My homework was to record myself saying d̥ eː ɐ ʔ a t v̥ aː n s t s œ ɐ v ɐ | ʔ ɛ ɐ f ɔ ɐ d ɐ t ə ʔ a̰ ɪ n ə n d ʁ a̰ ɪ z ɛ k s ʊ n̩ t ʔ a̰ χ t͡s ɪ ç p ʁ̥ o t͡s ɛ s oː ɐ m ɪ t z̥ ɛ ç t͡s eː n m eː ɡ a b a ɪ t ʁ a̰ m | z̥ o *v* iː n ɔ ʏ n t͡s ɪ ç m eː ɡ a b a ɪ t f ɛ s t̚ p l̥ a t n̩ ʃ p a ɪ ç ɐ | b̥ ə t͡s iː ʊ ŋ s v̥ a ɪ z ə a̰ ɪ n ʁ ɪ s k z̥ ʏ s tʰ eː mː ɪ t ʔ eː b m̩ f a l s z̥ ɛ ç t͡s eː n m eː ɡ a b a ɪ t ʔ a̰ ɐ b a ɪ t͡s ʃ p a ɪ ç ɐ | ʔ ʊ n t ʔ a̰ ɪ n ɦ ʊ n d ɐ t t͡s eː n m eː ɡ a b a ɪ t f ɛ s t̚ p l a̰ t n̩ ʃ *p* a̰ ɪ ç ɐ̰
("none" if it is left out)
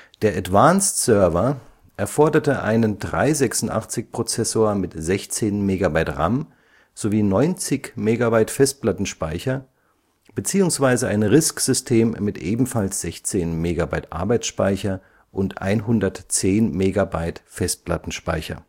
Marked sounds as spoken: v, p

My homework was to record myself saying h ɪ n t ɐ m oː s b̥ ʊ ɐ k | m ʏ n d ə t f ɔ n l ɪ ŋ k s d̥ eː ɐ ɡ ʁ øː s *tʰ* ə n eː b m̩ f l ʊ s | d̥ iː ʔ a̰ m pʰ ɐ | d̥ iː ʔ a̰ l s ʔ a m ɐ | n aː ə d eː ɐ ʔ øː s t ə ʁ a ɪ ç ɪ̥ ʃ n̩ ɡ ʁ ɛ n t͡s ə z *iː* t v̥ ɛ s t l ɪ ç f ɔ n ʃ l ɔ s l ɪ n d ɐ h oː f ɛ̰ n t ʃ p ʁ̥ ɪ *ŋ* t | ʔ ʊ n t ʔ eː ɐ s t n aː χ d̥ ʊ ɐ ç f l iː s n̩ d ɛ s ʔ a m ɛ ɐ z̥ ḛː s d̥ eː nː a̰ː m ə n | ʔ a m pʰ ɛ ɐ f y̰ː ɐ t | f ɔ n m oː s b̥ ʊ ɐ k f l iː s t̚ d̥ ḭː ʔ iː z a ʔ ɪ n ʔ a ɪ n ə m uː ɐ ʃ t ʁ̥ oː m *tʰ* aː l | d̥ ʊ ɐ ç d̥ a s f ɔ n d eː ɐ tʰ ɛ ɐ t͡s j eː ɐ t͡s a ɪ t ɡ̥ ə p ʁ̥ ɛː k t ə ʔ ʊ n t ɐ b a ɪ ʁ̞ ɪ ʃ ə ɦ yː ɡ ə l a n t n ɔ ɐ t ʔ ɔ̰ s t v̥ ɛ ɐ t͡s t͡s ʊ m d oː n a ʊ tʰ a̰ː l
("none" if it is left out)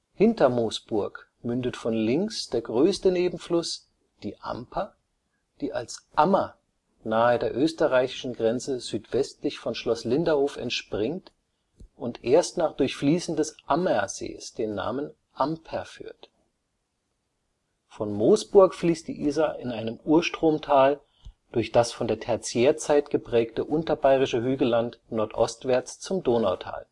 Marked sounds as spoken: t, yː, ŋ, tʰ

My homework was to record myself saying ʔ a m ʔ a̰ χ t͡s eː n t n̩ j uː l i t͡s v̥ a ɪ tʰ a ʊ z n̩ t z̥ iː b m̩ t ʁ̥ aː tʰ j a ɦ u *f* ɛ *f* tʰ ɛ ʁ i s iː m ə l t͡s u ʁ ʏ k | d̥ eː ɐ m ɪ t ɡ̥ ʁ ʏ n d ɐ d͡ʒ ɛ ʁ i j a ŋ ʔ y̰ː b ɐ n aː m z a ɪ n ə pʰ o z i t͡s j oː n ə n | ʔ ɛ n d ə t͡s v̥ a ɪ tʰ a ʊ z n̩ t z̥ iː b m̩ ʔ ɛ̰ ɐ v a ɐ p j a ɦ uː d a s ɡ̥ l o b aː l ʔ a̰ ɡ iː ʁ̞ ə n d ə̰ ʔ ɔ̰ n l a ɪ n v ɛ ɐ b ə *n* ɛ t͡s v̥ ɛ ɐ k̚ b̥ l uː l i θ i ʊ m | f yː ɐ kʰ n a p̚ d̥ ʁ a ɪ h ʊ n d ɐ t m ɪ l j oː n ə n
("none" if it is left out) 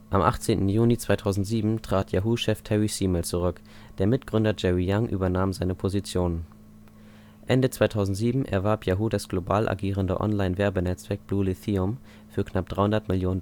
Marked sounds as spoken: ʃ, f, n

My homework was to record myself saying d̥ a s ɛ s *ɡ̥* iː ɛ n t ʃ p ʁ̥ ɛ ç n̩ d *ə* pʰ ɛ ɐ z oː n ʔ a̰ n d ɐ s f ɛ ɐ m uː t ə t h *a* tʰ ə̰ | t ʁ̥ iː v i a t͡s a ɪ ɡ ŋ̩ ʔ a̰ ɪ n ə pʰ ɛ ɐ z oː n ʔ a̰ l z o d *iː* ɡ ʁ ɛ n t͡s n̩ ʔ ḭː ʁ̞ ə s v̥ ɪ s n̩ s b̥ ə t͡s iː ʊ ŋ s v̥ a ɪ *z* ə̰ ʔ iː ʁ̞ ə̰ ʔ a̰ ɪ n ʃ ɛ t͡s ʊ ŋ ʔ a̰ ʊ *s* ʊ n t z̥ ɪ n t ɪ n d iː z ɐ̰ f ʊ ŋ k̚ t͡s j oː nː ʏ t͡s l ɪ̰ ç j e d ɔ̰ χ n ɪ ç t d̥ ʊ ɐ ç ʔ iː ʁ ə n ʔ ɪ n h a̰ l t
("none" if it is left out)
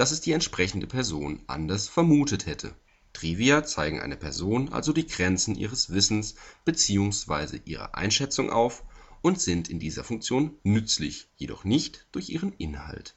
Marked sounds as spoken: d̥, ə, ɛ, iː, z, f

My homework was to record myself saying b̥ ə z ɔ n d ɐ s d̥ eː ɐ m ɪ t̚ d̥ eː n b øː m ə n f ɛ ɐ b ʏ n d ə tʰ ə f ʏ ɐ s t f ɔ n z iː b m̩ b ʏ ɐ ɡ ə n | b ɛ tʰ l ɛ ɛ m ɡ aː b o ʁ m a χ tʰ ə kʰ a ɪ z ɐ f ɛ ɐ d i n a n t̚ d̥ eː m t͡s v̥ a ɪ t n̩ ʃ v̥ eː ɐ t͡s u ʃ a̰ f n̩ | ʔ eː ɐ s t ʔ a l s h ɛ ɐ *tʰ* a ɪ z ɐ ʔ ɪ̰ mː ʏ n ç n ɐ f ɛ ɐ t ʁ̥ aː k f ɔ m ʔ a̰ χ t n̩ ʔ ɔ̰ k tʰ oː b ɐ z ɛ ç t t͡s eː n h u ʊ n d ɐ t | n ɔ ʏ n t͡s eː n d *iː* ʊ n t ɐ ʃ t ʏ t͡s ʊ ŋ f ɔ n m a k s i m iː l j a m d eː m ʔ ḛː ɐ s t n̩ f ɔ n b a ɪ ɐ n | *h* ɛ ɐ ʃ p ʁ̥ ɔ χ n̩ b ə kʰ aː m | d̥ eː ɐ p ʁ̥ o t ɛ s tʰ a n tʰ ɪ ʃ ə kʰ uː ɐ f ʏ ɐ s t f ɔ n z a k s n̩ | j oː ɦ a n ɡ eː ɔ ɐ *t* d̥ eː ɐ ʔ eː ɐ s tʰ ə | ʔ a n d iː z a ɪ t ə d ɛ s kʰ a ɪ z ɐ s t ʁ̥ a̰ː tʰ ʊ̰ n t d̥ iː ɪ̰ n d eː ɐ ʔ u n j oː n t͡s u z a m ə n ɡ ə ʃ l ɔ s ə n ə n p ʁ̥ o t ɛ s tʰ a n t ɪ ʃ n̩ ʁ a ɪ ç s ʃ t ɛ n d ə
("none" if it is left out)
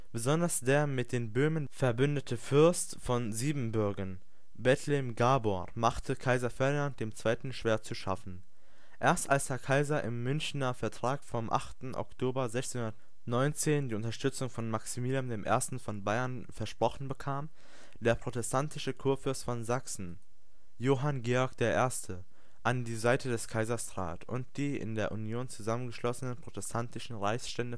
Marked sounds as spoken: kʰ, iː, f, k

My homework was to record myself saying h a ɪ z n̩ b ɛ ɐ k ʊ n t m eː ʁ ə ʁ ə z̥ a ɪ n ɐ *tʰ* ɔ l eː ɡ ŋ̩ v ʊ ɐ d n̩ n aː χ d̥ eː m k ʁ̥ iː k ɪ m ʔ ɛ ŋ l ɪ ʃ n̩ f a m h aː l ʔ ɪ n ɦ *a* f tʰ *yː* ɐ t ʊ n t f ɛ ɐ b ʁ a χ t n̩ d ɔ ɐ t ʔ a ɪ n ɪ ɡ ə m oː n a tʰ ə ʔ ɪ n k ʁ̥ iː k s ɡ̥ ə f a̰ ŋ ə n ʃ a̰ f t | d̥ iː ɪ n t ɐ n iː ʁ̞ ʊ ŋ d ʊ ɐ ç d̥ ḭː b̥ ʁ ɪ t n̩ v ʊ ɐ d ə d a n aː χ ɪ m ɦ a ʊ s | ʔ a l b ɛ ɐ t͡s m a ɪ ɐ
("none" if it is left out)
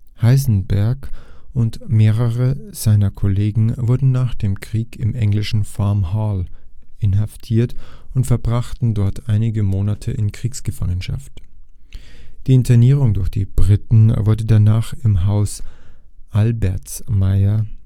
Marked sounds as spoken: kʰ, a, iː

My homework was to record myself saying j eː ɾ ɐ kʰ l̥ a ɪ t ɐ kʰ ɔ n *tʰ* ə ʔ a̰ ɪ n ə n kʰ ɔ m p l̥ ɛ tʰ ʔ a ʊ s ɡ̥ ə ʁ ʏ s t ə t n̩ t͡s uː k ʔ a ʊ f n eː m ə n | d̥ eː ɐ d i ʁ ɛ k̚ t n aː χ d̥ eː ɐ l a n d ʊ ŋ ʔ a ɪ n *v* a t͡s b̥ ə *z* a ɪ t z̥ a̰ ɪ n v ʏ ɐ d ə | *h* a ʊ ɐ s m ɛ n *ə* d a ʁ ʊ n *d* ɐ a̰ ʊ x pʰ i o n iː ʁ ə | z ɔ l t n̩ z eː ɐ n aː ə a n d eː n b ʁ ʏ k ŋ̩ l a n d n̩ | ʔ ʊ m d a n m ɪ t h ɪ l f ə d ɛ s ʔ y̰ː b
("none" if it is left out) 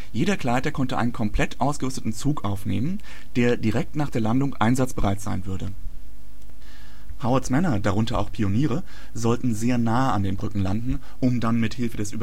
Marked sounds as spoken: t, z, ʁ, h, ɐ, t

